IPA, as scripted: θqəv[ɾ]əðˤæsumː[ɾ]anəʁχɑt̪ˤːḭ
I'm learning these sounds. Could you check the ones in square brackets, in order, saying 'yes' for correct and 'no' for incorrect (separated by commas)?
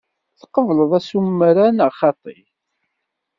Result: no, yes